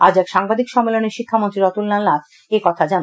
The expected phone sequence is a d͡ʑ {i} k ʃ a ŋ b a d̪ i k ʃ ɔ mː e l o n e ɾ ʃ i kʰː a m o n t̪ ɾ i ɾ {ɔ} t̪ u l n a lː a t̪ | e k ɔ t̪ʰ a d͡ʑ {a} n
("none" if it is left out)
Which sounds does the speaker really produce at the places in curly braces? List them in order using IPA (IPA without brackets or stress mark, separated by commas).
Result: ɛ, ɔ, a